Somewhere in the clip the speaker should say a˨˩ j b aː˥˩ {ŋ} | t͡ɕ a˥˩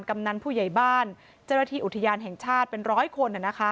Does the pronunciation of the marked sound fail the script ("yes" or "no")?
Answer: yes